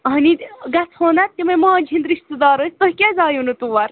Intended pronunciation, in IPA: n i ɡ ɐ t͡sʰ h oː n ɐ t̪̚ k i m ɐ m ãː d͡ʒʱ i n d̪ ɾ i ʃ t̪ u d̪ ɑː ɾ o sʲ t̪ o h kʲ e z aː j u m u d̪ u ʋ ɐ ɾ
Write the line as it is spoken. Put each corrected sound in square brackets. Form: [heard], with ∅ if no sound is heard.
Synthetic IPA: n i ɡ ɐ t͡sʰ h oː n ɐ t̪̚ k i m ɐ m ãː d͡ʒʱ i n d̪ ɾ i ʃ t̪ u d̪ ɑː ɾ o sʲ t̪ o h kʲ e z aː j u [n] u [t̪] u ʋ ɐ ɾ